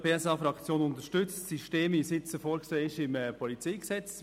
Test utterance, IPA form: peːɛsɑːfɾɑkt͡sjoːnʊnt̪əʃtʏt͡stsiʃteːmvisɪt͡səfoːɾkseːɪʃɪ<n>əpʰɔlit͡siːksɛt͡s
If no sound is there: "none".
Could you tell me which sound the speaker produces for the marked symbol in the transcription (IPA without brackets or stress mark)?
m